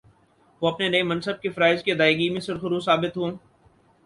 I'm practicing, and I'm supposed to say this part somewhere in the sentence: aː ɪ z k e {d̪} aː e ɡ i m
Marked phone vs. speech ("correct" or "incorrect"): correct